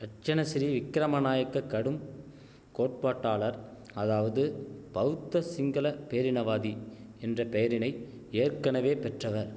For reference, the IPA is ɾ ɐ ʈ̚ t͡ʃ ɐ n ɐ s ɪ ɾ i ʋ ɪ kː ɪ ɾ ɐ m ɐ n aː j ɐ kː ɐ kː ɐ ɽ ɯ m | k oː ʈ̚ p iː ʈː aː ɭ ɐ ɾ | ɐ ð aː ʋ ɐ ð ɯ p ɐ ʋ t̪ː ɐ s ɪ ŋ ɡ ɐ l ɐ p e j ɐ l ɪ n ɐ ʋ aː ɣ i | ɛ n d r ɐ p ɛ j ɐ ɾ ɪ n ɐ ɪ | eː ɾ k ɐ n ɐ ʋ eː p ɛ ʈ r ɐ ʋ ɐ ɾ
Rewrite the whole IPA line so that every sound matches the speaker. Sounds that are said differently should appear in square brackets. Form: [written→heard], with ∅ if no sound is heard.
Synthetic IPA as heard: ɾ ɐ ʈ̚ t͡ʃ ɐ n ɐ s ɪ ɾ i ʋ ɪ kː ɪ ɾ ɐ m ɐ n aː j ɐ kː ɐ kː ɐ ɽ ɯ m | k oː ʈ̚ p [iː→aː] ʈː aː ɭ ɐ ɾ | ɐ ð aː ʋ ɐ ð ɯ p ɐ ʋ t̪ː ɐ s ɪ ŋ ɡ ɐ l ɐ p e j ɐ [l→ɾ] ɪ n ɐ ʋ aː [ɣ→ð] i | ɛ n d r ɐ p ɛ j ɐ ɾ ɪ n ɐ ɪ | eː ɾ k ɐ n ɐ ʋ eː p ɛ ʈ r ɐ ʋ ɐ ɾ